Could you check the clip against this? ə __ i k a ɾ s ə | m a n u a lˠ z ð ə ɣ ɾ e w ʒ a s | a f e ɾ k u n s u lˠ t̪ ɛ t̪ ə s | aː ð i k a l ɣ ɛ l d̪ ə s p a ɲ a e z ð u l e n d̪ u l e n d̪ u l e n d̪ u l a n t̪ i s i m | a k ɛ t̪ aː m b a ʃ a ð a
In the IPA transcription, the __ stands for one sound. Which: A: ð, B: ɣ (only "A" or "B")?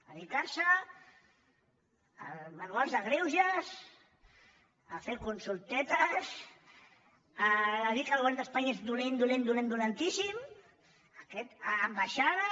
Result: A